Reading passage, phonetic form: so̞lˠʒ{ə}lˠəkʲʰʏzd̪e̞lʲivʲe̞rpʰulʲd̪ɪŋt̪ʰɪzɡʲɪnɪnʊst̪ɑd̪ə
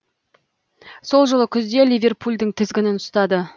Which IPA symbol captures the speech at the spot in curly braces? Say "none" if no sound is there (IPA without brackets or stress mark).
ə